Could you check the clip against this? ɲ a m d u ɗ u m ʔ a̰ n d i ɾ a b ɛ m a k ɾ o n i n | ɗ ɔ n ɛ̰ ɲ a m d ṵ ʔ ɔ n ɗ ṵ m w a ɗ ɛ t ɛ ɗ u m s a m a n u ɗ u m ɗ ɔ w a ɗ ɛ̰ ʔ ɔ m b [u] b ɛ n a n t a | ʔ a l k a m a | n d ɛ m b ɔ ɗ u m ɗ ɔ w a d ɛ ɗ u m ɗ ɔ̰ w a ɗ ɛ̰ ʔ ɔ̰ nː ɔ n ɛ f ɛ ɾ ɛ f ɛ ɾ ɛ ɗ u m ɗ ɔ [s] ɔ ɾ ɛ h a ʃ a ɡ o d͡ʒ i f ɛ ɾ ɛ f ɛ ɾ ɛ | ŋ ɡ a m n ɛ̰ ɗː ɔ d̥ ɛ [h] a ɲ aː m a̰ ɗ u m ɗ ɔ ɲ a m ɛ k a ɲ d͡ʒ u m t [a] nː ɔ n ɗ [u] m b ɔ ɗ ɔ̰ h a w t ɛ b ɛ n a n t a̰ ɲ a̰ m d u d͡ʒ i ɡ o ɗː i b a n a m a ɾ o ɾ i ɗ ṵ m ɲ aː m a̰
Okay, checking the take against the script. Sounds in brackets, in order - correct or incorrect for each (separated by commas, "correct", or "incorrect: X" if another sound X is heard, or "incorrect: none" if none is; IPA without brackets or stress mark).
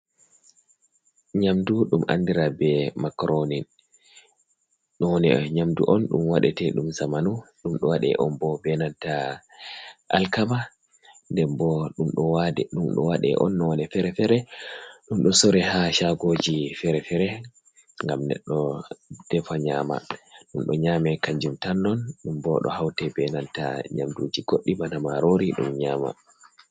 incorrect: ɔ, correct, incorrect: f, correct, correct